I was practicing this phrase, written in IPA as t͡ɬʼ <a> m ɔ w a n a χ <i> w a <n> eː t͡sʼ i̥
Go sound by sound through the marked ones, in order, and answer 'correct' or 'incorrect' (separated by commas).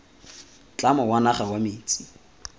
correct, incorrect, incorrect